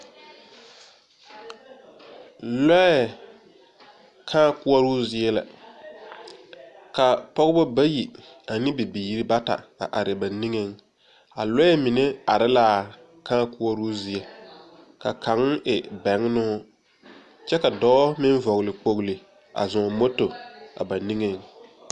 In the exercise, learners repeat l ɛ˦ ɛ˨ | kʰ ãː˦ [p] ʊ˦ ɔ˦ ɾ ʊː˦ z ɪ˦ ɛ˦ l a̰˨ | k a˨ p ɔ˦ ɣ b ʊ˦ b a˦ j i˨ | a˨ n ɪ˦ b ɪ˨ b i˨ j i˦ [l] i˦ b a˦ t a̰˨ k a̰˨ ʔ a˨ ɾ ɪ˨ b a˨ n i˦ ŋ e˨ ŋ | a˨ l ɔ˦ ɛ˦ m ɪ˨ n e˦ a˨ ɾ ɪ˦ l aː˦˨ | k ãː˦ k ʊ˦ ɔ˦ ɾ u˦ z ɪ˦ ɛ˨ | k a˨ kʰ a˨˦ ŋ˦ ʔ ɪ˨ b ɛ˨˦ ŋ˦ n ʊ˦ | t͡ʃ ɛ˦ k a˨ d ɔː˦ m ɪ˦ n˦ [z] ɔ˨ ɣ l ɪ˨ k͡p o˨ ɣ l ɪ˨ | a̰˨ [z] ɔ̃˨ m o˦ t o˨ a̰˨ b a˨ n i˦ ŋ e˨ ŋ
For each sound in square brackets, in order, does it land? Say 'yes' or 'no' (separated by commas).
no, no, no, yes